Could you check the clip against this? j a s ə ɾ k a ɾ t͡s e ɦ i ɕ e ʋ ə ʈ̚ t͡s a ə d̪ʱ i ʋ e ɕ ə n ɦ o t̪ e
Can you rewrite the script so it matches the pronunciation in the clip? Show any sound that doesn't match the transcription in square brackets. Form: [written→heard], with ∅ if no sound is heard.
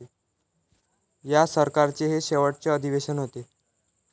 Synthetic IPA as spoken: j a s ə ɾ k a ɾ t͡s e ɦ [i→e] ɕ e ʋ ə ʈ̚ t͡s [a→e] ə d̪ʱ i ʋ e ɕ ə n ɦ o t̪ e